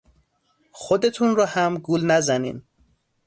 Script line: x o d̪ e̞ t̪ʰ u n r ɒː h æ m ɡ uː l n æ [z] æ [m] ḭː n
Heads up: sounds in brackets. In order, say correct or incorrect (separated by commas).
correct, incorrect